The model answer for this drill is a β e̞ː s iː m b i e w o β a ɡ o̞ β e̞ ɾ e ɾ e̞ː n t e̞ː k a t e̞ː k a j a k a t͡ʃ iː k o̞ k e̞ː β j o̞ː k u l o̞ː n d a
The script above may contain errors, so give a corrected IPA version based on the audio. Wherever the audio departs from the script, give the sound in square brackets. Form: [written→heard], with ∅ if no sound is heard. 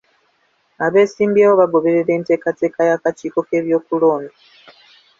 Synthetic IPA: a β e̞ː s iː m b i e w o β a ɡ o̞ β e̞ ɾ e ɾ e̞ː n t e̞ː k a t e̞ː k a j a k a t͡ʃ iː k o̞ k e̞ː β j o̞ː k u l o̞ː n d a